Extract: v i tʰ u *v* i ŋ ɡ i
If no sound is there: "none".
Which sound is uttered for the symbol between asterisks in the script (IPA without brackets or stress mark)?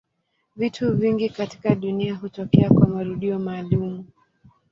v